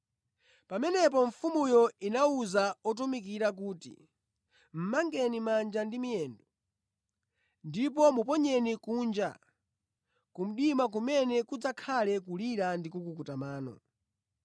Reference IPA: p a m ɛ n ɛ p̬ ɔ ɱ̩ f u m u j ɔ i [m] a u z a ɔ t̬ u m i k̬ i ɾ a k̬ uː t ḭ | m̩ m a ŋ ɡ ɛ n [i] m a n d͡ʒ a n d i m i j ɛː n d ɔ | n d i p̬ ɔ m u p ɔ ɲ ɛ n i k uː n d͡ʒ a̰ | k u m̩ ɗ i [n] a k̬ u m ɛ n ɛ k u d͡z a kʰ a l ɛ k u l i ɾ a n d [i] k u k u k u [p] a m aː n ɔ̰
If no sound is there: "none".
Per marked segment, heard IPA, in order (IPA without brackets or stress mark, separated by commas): n, i, m, i, t